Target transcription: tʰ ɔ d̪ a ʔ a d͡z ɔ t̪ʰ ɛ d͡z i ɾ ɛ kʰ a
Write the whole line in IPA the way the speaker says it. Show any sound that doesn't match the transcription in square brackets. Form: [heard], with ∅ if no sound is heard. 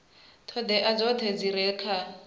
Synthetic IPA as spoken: tʰ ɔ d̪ [ɛ] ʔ a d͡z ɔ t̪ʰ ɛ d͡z i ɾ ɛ kʰ a